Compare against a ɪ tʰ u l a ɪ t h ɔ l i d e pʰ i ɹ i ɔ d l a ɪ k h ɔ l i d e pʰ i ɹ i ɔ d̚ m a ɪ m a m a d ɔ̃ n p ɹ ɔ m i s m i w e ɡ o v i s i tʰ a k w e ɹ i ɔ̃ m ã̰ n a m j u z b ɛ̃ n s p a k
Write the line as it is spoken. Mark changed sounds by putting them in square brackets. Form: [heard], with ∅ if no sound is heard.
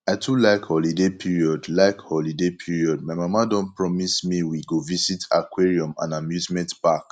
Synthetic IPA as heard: a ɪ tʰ u l a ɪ [k] h ɔ l i d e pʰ i ɹ i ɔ d l a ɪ k h ɔ l i d e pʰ i ɹ i ɔ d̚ m a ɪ m a m a d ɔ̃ n p ɹ ɔ m i s m i w [i] ɡ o v i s i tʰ a k w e ɹ i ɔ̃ m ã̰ n a m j u z [m] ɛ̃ n [t] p a k